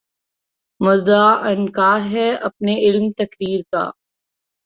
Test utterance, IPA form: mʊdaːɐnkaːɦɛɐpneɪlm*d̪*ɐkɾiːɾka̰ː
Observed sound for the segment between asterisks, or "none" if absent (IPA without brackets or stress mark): t̪